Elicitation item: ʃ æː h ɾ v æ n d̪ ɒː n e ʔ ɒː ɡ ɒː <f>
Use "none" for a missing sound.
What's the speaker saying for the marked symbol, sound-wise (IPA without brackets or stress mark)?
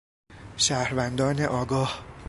h